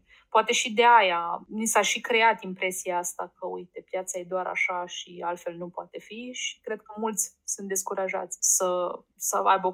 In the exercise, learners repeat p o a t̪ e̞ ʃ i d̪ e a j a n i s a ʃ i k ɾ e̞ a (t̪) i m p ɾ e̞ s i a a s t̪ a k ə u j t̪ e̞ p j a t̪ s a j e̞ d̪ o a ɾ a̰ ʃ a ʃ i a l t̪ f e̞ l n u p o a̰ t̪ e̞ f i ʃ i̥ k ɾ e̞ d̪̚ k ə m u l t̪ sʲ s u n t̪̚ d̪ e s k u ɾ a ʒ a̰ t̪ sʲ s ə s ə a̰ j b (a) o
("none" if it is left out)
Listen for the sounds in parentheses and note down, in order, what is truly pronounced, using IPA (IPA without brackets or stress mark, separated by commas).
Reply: t̪, ə